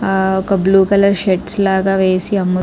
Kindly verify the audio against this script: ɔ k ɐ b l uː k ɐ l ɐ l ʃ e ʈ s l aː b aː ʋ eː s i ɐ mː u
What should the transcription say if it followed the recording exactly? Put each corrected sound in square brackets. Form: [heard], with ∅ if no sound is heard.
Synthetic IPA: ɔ k ɐ b l uː k ɐ l ɐ [ɾ] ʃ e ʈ s l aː [ɡ] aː ʋ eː s i ɐ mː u